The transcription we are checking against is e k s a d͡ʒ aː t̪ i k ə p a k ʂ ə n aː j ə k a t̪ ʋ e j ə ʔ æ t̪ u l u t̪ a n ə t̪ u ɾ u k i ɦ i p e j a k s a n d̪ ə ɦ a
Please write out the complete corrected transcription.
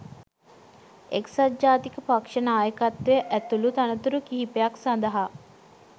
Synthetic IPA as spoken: e k s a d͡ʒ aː t̪ i k ə p a k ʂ ə n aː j ə k a t̪ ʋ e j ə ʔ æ t̪ u l u t̪ a n ə t̪ u ɾ u k i ɦ i p e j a k s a n d̪ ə ɦ a

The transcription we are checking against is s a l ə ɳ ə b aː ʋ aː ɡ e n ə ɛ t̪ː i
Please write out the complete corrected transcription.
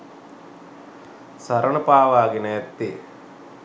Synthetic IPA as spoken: s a ɾ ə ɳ ə p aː ʋ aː ɡ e n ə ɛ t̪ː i

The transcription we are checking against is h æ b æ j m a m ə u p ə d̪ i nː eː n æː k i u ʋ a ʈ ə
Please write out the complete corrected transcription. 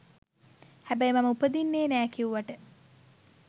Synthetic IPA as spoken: h æ b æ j m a m ə u p ə d̪ i nː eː n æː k i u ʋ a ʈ ə

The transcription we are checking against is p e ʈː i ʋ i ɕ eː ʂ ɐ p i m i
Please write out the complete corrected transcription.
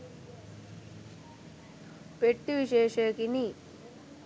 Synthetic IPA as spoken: p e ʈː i ʋ i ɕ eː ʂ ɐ k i n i

